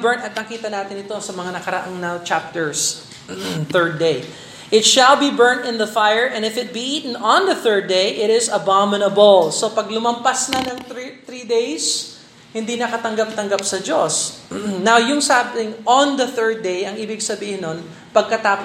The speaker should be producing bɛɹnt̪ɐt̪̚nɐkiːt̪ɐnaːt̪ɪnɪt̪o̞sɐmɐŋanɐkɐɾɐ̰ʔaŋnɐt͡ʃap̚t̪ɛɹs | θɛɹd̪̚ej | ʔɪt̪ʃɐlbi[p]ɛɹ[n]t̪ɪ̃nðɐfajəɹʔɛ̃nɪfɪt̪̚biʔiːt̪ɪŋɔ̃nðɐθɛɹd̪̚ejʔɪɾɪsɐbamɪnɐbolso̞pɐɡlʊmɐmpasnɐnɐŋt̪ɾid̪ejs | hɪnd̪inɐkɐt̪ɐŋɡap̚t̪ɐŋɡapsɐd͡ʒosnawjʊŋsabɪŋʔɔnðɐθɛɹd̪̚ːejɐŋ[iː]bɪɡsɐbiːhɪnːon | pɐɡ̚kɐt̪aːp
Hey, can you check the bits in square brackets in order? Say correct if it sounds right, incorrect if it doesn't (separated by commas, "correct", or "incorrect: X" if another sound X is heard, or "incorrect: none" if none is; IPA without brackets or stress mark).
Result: incorrect: b, correct, correct